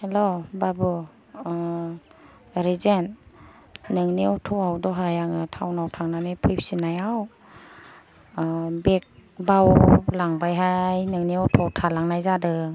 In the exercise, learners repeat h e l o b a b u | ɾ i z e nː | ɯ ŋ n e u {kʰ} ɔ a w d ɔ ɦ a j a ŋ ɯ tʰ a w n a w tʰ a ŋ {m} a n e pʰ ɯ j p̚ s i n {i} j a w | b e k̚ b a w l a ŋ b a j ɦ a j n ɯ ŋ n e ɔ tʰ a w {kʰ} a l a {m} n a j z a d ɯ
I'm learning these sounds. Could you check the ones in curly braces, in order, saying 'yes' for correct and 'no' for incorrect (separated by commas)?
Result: no, no, no, no, no